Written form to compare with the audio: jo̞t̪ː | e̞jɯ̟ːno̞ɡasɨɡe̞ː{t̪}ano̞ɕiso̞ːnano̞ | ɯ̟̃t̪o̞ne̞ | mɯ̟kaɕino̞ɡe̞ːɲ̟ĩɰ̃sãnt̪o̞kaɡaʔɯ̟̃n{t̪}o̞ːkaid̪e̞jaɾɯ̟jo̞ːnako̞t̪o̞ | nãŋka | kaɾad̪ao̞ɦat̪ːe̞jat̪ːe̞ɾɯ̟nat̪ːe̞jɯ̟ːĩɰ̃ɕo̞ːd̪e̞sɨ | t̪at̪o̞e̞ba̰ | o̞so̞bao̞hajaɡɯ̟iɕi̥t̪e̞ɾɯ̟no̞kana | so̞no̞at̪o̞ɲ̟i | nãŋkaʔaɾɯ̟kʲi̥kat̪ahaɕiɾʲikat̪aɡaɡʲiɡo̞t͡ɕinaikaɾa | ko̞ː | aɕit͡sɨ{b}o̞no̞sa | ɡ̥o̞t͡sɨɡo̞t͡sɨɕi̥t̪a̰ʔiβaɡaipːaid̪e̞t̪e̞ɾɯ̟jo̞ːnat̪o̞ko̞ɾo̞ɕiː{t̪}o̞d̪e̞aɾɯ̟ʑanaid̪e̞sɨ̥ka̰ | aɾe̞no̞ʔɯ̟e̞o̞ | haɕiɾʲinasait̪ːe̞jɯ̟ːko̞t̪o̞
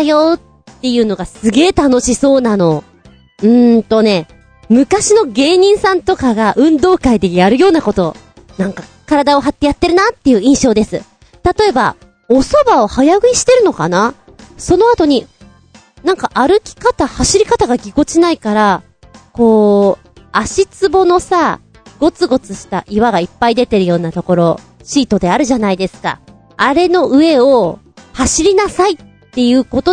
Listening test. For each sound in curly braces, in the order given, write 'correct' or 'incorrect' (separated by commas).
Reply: correct, incorrect, correct, correct